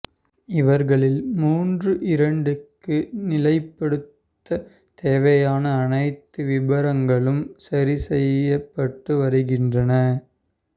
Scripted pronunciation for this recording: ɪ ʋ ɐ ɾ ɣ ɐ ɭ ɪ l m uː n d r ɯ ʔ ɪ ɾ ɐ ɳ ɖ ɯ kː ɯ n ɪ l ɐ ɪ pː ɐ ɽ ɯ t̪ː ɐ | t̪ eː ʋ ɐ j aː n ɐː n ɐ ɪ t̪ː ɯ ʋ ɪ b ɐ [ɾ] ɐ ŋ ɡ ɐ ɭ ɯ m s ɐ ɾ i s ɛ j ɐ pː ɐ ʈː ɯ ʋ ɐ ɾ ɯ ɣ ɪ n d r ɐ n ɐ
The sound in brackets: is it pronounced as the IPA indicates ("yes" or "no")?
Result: yes